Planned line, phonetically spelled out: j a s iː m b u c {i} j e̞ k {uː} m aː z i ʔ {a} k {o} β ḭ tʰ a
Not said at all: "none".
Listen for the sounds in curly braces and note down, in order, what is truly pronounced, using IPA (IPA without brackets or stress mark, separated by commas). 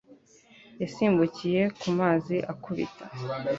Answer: i, u, a, u